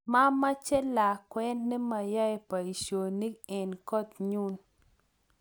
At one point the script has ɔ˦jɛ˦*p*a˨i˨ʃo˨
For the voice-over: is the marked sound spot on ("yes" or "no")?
yes